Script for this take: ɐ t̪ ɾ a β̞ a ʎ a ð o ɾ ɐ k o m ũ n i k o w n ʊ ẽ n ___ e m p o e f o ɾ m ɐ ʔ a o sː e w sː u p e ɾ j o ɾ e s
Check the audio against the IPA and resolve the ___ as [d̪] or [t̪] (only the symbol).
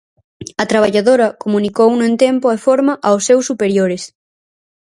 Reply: t̪